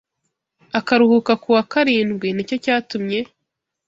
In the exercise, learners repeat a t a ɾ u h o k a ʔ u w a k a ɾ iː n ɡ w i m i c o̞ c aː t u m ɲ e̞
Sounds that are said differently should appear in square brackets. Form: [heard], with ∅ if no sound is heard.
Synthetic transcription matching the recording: a [k] a ɾ u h [u] k a [k] u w a k a ɾ iː n ɡ w i [n] i c o̞ c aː t u m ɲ e̞